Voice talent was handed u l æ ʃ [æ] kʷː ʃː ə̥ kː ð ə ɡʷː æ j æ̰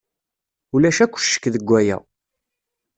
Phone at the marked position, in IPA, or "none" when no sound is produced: æ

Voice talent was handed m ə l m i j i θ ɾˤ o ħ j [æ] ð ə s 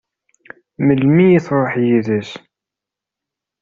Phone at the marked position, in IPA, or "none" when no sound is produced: i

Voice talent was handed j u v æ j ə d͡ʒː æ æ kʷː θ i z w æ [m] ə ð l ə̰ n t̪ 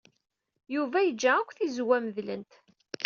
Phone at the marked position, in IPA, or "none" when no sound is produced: m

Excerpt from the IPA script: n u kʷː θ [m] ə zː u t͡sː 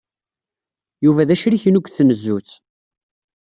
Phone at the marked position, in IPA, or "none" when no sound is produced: n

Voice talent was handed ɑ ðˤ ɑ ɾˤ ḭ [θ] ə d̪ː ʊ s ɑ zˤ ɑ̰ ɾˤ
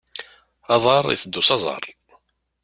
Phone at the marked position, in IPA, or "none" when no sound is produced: θ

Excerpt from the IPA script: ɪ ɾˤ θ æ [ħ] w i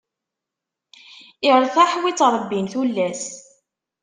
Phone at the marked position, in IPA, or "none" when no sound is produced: ħ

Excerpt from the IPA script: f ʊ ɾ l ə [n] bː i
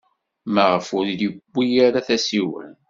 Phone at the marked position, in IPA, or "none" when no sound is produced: none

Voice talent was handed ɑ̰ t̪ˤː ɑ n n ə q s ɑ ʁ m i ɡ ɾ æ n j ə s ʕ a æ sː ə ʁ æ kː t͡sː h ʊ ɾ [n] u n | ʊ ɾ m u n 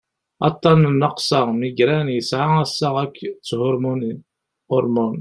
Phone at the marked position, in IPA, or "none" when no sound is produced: m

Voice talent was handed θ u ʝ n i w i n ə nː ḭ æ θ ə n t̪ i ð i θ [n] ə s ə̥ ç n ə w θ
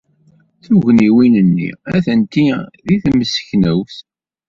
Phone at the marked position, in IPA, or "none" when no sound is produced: m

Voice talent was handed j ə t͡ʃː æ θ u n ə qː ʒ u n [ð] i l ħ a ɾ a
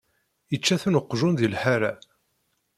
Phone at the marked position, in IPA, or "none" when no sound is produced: ð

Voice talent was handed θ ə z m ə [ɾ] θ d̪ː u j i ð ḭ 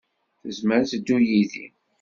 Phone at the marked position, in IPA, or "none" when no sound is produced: ɾ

